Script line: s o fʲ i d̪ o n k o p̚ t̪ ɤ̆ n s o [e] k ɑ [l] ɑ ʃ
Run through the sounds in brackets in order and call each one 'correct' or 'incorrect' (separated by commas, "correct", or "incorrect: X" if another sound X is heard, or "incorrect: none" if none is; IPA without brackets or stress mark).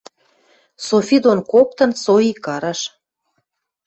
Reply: incorrect: i, incorrect: ɾ